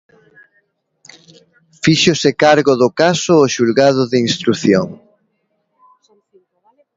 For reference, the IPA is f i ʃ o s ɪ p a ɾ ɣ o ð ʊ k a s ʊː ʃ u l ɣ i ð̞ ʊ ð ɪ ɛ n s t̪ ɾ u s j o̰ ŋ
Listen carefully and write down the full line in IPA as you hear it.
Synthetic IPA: f i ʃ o s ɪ k a ɾ ɣ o ð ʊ k a s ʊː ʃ u l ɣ a ð̞ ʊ ð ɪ i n s t̪ ɾ u θ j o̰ ŋ

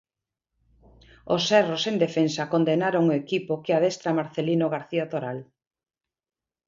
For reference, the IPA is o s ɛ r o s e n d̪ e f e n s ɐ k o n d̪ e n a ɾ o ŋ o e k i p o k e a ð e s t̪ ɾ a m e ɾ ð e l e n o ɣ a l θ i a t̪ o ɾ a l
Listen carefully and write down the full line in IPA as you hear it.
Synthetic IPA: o s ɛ r o s e n d̪ e f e n s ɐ k o n d̪ e n a ɾ o ŋ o e k i p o k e a ð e s t̪ ɾ a m a ɾ θ e l i n o ɣ a ɾ θ i a t̪ o ɾ a l

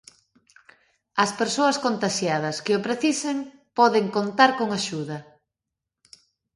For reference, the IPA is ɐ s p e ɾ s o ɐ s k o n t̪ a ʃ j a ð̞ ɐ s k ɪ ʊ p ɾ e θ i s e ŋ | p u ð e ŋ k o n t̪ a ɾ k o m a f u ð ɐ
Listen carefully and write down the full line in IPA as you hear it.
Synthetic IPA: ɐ s p e ɾ s o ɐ s k o n t̪ a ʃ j a ð̞ ɐ s k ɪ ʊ p ɾ e θ i s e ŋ | p ɔ ð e ŋ k o n t̪ a ɾ k o ŋ a ʃ u ð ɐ

